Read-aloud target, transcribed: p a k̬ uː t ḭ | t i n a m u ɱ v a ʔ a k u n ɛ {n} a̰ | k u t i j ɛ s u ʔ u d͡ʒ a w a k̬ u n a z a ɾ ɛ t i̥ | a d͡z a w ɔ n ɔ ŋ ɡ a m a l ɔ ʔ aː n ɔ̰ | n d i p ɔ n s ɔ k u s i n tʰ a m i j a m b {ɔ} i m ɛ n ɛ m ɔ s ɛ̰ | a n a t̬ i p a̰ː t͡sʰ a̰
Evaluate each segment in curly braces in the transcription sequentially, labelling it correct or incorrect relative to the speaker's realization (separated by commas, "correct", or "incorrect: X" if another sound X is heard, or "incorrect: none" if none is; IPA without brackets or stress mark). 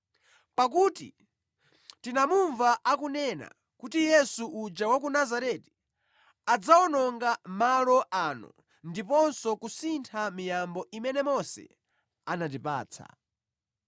correct, correct